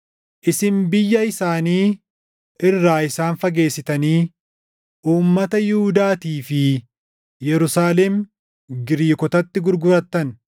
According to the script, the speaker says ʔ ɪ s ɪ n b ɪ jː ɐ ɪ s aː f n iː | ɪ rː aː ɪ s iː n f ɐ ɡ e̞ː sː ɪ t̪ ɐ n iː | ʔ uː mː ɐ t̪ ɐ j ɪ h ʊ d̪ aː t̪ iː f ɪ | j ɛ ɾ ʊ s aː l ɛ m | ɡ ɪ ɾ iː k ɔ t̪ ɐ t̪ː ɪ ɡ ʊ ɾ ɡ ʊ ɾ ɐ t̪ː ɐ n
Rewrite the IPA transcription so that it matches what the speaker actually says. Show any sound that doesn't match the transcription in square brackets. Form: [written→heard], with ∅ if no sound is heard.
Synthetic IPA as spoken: ʔ ɪ s ɪ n b ɪ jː ɐ ɪ s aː [f→∅] n iː | ɪ rː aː ɪ s [iː→aː] n f ɐ ɡ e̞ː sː ɪ t̪ ɐ n iː | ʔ uː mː ɐ t̪ ɐ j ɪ h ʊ d̪ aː t̪ iː f ɪ | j ɛ ɾ ʊ s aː l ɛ m | ɡ ɪ ɾ iː k ɔ t̪ ɐ t̪ː ɪ ɡ ʊ ɾ ɡ ʊ ɾ ɐ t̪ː ɐ n

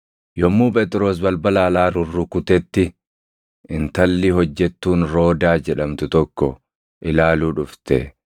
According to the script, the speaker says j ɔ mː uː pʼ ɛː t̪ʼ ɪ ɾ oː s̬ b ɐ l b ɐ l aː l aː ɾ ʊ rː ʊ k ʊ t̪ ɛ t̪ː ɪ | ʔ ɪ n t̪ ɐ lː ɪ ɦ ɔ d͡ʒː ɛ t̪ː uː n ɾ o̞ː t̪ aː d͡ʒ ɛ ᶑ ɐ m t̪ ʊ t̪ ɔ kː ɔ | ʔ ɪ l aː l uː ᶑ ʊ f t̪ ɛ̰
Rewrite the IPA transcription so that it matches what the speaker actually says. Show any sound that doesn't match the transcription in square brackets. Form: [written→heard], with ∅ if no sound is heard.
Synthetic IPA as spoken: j ɔ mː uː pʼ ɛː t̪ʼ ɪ ɾ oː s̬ b ɐ l b ɐ l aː l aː ɾ ʊ rː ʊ k ʊ t̪ ɛ t̪ː ɪ | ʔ ɪ n t̪ ɐ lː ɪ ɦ ɔ d͡ʒː ɛ t̪ː uː n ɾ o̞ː [t̪→d̪] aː d͡ʒ ɛ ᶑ ɐ m t̪ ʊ t̪ ɔ kː ɔ | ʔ ɪ l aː l uː ᶑ ʊ f t̪ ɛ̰

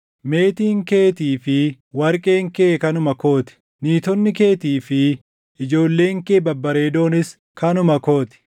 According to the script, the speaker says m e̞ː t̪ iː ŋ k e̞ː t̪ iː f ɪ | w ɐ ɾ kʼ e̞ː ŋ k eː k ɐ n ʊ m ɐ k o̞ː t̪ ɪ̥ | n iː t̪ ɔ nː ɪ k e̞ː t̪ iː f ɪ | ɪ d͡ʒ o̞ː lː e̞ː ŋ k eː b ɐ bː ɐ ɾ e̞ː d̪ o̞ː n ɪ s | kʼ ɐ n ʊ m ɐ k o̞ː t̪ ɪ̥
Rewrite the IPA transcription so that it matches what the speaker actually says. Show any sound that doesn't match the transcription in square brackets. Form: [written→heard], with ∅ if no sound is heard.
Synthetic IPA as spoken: m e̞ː t̪ iː ŋ k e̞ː t̪ iː f ɪ | w ɐ ɾ kʼ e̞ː ŋ k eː k ɐ n ʊ m ɐ k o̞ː t̪ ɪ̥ | n iː t̪ ɔ nː ɪ k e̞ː t̪ iː f ɪ | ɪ d͡ʒ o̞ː lː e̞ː ŋ k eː b ɐ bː ɐ ɾ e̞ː d̪ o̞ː n ɪ s | [kʼ→k] ɐ n ʊ m ɐ k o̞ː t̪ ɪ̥

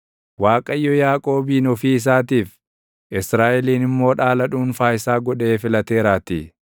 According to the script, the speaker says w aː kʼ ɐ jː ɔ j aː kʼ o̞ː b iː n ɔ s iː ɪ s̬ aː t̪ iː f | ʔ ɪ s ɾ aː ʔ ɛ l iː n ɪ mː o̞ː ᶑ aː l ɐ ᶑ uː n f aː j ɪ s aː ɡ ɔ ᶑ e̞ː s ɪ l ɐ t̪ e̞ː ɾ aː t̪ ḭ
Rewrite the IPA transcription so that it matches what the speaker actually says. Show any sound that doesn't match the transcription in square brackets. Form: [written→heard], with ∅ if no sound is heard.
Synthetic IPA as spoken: w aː kʼ ɐ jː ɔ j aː kʼ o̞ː b iː n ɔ [s→f] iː ɪ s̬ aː t̪ iː f | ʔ ɪ s ɾ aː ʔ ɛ l iː n ɪ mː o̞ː ᶑ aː l ɐ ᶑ uː n f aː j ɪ s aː ɡ ɔ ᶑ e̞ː [s→f] ɪ l ɐ t̪ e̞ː ɾ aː t̪ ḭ

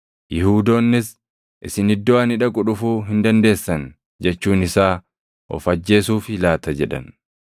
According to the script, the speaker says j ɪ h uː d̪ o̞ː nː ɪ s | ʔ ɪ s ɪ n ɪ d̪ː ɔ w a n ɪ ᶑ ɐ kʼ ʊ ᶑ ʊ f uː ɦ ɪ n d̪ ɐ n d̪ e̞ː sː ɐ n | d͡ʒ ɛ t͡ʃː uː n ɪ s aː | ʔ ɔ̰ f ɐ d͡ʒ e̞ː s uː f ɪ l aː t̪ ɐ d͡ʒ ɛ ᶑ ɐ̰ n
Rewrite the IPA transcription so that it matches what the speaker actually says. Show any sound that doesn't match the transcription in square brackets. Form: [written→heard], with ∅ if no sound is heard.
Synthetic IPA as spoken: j ɪ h uː d̪ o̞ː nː ɪ s | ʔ ɪ s ɪ n ɪ d̪ː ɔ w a n ɪ ᶑ ɐ kʼ ʊ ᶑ ʊ f uː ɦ ɪ n d̪ ɐ n d̪ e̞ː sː ɐ n | d͡ʒ ɛ t͡ʃː uː n ɪ s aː | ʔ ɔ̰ f ɐ [d͡ʒ→d͡ʒː] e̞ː s uː f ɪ l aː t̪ ɐ d͡ʒ ɛ ᶑ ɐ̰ n

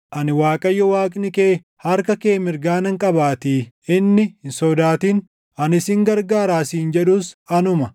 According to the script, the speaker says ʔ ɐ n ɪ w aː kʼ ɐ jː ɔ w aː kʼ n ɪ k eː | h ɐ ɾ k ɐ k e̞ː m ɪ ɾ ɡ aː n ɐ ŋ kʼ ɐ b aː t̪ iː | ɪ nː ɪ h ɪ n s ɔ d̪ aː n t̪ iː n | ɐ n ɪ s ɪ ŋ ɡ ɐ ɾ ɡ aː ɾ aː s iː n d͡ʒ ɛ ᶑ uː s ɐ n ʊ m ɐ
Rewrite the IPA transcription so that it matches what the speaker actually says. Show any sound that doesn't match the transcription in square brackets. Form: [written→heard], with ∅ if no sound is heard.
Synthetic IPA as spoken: ʔ ɐ n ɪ w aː kʼ ɐ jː ɔ w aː kʼ n ɪ k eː | h ɐ ɾ k ɐ k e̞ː m ɪ ɾ ɡ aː n ɐ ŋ kʼ ɐ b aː t̪ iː | ɪ nː ɪ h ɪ n s ɔ d̪ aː [n→∅] t̪ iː n | ɐ n ɪ s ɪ ŋ ɡ ɐ ɾ ɡ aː ɾ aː s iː n d͡ʒ ɛ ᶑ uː s ɐ n ʊ m ɐ

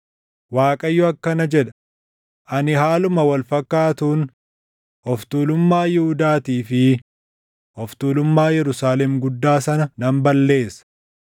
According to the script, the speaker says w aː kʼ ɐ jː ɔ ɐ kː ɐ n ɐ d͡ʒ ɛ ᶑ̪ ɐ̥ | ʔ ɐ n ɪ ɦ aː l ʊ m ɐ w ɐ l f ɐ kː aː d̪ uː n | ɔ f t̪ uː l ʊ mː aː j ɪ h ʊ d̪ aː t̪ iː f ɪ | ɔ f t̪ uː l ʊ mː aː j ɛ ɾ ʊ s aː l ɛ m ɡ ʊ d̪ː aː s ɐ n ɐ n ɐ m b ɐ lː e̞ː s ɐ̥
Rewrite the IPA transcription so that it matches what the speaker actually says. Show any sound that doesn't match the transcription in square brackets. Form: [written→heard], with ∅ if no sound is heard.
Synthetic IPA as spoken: w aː kʼ ɐ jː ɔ ɐ kː ɐ n ɐ d͡ʒ ɛ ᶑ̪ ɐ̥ | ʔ ɐ n ɪ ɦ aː l ʊ m ɐ w ɐ l f ɐ kː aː [d̪→t̪] uː n | ɔ f t̪ uː l ʊ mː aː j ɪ h ʊ d̪ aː t̪ iː f ɪ | ɔ f t̪ uː l ʊ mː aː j ɛ ɾ ʊ s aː l ɛ m ɡ ʊ d̪ː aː s ɐ n ɐ n ɐ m b ɐ lː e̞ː s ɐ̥

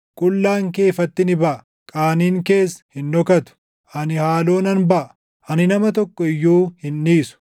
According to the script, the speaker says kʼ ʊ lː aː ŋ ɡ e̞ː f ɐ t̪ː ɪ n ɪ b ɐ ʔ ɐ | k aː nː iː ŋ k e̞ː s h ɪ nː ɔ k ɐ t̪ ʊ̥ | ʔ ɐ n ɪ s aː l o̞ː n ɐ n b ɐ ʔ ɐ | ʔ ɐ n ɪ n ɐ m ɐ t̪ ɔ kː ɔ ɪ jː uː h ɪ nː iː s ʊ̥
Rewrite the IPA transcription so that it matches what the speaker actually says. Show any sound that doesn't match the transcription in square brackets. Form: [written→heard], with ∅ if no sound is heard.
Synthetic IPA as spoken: kʼ ʊ lː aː ŋ [ɡ→k] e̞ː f ɐ t̪ː ɪ n ɪ b ɐ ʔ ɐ | [k→kʼ] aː [nː→n] iː ŋ k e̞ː s h ɪ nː ɔ k ɐ t̪ ʊ̥ | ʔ ɐ n ɪ [s→h] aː l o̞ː n ɐ n b ɐ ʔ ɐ | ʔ ɐ n ɪ n ɐ m ɐ t̪ ɔ kː ɔ ɪ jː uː h ɪ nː iː s ʊ̥

